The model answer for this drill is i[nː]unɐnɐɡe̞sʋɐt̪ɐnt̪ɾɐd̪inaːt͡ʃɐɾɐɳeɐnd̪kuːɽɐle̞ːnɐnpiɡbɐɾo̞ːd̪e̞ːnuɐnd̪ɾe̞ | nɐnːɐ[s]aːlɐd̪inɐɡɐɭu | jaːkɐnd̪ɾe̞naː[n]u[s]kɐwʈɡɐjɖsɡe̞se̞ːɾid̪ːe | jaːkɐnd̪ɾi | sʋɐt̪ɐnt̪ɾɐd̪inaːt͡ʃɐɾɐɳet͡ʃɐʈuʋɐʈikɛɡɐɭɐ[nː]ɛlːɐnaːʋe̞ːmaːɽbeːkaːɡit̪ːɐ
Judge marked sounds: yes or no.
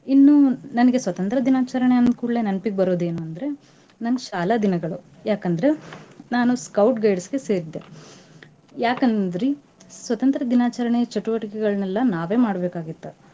yes, no, yes, yes, no

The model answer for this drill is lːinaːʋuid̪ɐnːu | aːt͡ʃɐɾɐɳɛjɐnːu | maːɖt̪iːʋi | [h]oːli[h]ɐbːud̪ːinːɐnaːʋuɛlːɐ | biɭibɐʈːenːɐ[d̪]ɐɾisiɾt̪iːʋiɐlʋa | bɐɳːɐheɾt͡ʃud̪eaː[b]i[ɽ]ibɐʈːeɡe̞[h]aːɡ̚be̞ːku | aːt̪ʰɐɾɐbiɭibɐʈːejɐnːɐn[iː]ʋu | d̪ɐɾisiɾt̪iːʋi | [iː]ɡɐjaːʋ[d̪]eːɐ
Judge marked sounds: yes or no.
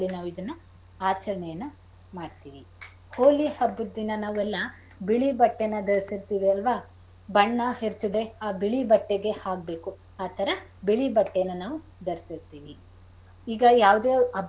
yes, yes, yes, yes, no, yes, no, yes, yes

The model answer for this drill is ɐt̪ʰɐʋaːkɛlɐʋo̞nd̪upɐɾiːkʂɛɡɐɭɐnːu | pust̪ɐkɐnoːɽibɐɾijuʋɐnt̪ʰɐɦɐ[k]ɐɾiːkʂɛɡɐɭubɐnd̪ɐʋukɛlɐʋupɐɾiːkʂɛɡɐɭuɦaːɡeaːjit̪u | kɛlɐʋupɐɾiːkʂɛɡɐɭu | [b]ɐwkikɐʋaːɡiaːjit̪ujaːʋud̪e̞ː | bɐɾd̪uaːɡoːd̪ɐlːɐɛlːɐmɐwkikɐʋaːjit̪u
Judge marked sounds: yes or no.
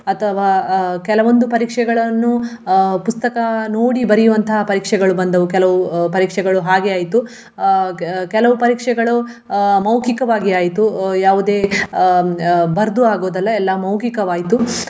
no, no

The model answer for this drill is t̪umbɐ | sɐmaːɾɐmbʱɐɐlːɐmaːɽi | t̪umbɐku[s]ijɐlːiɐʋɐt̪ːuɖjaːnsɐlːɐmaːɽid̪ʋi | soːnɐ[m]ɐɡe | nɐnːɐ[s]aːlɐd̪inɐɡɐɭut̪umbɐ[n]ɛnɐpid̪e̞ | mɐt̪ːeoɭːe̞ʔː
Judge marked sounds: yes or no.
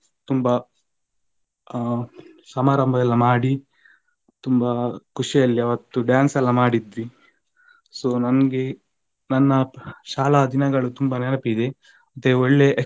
no, no, no, yes

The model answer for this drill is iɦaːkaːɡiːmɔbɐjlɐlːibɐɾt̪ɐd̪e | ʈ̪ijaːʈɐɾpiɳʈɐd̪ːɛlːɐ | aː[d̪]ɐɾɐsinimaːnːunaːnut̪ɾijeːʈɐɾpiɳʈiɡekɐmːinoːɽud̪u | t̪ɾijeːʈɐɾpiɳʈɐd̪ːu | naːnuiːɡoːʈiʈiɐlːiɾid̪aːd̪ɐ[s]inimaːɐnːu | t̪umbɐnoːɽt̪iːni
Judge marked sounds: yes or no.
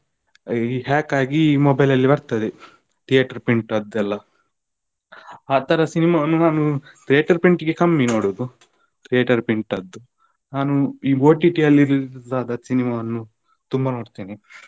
no, yes

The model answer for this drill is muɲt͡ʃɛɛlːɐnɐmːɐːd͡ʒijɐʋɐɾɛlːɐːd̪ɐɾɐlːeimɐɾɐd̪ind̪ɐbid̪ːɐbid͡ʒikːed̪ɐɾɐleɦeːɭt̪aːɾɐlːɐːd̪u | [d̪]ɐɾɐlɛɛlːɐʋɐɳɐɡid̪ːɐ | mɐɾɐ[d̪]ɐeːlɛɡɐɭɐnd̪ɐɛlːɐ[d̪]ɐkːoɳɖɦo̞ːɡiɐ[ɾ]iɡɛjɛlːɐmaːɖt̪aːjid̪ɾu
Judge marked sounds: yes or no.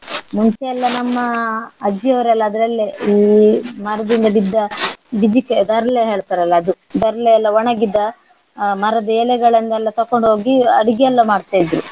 yes, yes, no, no

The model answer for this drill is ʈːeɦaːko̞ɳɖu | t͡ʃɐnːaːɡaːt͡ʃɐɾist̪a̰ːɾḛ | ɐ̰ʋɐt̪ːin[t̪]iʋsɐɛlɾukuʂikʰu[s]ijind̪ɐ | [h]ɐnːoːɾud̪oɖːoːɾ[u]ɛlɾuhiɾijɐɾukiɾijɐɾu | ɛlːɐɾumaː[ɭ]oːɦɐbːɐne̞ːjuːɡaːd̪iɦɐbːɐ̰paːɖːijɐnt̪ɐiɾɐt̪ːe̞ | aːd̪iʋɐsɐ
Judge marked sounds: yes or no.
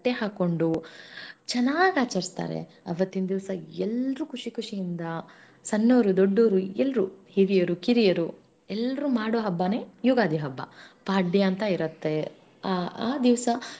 no, no, no, yes, no

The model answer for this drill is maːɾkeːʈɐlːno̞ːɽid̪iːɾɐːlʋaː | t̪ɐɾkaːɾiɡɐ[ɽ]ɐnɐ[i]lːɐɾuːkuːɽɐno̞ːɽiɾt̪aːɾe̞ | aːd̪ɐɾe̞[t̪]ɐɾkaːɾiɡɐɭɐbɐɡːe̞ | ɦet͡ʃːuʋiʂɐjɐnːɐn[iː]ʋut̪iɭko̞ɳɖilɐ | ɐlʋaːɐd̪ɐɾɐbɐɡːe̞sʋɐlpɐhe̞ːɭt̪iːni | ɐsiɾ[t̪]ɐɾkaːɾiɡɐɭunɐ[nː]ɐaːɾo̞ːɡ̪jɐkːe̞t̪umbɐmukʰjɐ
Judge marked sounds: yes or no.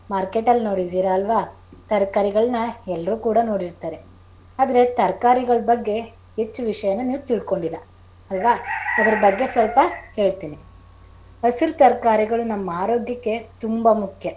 no, no, yes, yes, yes, no

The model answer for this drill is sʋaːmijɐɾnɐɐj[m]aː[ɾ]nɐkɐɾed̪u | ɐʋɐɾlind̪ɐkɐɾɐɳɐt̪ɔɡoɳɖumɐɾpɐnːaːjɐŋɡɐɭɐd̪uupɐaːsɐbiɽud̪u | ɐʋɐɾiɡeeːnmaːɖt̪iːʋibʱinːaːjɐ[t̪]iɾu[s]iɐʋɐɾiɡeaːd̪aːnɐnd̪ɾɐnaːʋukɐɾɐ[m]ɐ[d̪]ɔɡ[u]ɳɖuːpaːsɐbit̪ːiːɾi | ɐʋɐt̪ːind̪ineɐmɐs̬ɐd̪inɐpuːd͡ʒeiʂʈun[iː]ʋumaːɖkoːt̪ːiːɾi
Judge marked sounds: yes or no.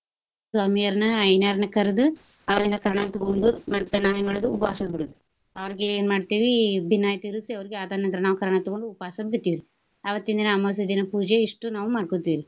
no, yes, yes, yes, no, no, no, no

